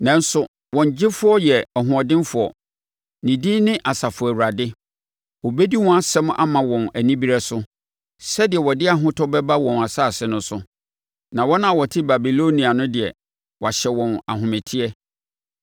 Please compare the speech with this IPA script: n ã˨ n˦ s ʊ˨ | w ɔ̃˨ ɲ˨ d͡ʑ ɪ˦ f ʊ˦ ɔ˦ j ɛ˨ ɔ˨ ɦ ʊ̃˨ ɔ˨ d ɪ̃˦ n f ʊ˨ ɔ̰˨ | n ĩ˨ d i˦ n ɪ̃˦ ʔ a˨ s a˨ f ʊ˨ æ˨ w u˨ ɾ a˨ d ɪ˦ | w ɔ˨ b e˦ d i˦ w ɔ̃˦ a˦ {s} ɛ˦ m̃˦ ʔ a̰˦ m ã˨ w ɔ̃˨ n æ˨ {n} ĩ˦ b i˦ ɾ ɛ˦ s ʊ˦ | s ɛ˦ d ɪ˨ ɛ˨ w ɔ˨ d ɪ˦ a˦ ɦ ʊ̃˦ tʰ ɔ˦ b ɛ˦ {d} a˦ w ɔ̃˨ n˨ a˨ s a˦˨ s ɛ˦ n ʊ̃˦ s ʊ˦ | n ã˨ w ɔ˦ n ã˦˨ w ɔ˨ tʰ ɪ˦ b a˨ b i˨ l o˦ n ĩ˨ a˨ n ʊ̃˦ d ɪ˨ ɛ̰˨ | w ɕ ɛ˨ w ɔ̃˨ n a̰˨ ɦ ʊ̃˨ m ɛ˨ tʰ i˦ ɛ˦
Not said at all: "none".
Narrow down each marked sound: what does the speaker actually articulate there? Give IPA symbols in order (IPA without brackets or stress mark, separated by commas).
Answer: s, n, b